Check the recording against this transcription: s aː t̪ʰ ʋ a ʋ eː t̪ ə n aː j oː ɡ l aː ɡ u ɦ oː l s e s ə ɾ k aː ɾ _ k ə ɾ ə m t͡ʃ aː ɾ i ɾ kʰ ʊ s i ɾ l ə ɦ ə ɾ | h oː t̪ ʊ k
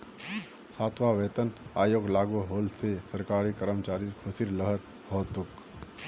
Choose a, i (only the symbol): i